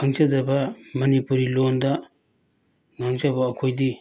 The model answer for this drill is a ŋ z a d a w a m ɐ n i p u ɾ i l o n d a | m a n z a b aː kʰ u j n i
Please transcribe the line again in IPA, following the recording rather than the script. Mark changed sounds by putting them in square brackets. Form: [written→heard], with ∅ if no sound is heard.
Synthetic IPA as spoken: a ŋ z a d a [w→b] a m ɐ n i p u ɾ i l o n d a | [m→ŋ] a [n→ŋ] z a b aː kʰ [u→o] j [n→d] i